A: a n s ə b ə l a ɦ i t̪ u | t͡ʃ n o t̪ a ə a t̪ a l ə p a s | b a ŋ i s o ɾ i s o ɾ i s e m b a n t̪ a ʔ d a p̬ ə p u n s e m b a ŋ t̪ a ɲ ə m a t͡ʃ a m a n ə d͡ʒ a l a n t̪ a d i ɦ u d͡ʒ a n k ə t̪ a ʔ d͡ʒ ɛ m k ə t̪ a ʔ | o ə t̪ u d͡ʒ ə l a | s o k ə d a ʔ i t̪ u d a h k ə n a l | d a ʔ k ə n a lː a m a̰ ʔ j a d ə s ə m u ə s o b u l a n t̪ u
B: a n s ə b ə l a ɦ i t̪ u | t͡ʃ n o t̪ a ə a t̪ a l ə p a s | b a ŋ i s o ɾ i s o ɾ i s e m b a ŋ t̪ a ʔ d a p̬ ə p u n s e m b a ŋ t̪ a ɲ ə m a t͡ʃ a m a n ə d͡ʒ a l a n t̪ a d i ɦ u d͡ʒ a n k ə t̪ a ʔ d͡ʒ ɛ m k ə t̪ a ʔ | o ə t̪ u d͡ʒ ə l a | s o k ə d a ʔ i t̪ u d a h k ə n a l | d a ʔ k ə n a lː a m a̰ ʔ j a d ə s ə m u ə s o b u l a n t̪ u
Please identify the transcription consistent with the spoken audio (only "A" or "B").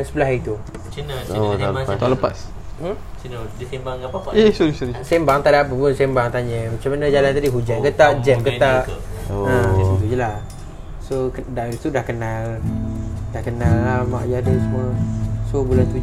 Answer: B